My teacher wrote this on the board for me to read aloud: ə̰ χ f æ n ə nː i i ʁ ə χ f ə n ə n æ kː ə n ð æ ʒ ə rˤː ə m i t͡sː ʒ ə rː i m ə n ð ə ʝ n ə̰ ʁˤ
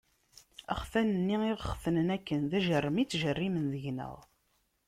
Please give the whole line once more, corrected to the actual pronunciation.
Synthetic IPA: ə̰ χ f æ n ə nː i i ʁ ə χ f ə n ə n æ kː ə n ð æ ʒ ə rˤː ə m i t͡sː ʒ ə rː i m ə n ð ə ʝ n ə̰ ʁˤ